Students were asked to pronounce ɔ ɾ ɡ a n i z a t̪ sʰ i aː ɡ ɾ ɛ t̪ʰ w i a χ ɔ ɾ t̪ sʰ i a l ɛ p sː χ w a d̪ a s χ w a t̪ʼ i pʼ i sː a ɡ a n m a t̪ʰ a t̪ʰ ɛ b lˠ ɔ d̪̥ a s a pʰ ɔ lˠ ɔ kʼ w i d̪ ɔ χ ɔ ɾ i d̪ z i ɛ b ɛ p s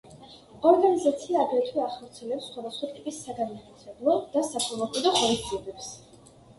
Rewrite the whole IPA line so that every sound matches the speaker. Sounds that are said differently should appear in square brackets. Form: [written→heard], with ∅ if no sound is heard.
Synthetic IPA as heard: ɔ ɾ ɡ a n i z a t̪ sʰ i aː ɡ ɾ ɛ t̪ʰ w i a χ ɔ ɾ t̪ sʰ i [a→ɛ] l ɛ p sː χ w a d̪ a s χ w a t̪ʼ i pʼ i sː a ɡ a n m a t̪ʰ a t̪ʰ ɛ b lˠ ɔ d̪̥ a s a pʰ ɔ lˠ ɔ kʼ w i d̪ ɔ χ ɔ ɾ i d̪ z i ɛ b ɛ p s